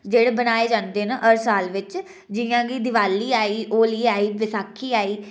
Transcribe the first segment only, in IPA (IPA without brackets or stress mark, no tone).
d͡ʒ